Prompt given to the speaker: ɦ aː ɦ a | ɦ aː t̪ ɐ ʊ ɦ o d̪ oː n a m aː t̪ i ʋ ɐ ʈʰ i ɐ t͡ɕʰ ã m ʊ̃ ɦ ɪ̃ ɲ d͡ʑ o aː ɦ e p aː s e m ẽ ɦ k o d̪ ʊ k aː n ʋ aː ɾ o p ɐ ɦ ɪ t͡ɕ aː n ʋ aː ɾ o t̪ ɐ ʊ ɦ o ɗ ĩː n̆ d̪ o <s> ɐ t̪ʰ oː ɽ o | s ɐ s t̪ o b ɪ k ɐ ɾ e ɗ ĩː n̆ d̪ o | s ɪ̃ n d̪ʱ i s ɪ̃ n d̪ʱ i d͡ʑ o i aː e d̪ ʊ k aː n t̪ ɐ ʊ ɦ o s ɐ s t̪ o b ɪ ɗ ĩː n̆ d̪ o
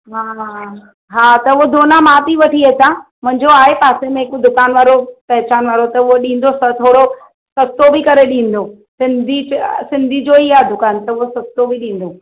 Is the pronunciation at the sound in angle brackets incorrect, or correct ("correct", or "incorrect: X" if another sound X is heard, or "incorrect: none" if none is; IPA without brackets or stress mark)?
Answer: correct